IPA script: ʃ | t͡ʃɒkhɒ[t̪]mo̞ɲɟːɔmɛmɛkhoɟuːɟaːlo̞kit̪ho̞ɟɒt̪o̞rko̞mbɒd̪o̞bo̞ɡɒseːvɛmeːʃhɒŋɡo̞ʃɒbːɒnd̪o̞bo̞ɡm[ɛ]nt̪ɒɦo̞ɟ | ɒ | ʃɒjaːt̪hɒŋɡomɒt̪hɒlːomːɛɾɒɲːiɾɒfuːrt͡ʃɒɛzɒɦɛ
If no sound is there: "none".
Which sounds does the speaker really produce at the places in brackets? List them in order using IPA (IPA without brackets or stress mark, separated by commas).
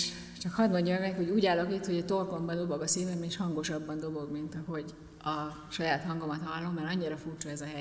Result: d̪, i